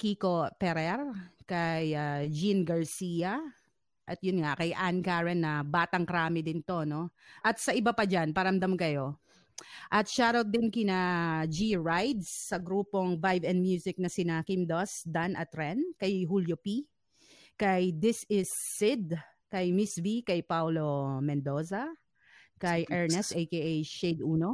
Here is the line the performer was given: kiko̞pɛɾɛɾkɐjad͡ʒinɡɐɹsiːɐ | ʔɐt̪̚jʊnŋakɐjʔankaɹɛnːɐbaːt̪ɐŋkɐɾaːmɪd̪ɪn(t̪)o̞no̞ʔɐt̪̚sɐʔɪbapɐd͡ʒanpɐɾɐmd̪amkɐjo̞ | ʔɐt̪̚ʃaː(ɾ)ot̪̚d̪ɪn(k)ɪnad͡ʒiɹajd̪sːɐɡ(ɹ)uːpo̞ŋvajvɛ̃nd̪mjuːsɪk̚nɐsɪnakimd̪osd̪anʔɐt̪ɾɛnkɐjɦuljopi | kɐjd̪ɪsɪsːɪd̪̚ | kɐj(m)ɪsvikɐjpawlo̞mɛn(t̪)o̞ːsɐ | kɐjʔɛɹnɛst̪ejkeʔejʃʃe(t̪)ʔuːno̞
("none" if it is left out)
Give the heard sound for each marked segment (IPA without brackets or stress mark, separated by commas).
t̪, ɾ, k, ɾ, m, d̪, d̪